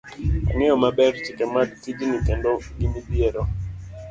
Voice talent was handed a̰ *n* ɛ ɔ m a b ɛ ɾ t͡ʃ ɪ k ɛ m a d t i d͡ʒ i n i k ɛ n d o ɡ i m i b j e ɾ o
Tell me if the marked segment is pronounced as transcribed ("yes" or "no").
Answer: no